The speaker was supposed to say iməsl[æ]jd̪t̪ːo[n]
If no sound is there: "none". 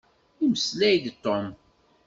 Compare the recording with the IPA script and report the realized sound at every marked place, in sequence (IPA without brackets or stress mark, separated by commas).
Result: æ, m